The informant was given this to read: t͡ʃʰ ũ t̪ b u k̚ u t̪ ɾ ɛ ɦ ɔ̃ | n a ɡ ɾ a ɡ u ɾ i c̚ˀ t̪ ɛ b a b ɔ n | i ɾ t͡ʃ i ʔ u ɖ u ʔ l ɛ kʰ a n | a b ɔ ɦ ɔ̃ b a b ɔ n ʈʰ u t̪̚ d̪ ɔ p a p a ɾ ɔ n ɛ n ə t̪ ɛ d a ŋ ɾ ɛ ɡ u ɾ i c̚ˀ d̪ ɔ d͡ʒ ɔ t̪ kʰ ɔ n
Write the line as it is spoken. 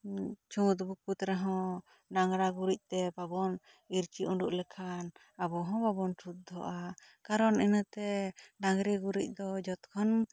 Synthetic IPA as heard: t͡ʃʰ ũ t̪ b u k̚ u t̪ ɾ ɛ ɦ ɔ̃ | n a ŋ ɾ a ɡ u ɾ i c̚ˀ t̪ ɛ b a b ɔ n | i ɾ t͡ʃ i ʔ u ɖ u ʔ l ɛ kʰ a n | a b ɔ ɦ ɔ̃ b a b ɔ n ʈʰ u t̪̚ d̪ ɔ ʔ a k a ɾ ɔ n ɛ n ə t̪ ɛ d a ŋ ɾ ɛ ɡ u ɾ i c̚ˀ d̪ ɔ d͡ʒ ɔ t̪ kʰ ɔ n